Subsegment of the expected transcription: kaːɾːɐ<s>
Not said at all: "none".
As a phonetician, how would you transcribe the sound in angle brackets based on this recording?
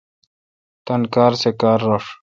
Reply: ʂ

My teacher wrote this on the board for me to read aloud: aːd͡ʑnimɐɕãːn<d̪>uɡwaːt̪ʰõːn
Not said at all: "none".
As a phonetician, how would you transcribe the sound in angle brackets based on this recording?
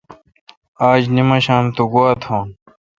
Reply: t̪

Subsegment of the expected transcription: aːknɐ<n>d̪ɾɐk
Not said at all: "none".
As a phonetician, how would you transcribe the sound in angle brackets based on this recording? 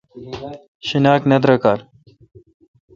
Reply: none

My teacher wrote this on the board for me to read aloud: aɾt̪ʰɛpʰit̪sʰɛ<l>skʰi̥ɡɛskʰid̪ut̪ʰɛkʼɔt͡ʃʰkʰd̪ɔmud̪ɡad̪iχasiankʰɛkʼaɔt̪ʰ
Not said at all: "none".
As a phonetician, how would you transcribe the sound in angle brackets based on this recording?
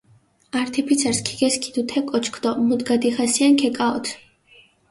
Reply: ɾ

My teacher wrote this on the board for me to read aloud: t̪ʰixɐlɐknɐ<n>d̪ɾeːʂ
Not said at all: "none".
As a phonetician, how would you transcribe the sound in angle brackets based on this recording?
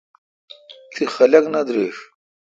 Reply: none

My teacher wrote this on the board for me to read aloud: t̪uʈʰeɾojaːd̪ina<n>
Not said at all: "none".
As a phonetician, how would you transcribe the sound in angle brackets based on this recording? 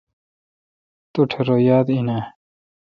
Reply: none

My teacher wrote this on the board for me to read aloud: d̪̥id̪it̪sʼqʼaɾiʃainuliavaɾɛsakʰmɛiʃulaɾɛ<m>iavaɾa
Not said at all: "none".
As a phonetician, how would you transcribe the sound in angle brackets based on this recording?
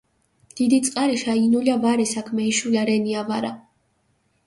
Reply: n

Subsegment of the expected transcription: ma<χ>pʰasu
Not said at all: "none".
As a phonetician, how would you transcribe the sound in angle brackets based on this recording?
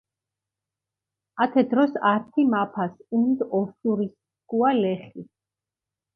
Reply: none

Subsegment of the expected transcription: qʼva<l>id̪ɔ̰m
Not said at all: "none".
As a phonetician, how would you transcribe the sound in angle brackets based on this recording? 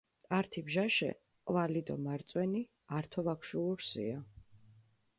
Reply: l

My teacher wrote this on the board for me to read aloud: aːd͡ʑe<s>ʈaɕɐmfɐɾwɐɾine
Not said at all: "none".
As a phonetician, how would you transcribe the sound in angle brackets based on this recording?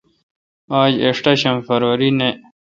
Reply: ʂ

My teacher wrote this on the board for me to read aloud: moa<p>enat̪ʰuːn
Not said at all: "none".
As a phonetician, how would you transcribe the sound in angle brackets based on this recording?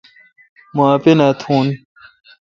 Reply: p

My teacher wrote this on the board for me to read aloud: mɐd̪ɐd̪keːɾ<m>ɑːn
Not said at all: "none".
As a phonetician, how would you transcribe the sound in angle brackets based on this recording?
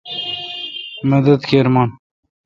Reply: m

